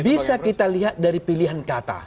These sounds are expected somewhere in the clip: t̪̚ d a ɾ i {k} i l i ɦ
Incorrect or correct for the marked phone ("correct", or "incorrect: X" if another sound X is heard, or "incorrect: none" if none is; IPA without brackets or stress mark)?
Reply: incorrect: p